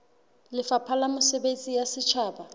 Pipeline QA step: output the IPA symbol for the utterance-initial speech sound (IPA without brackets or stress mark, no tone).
l